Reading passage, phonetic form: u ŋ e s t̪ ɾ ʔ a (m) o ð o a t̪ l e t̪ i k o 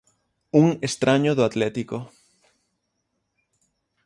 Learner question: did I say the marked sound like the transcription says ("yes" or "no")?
no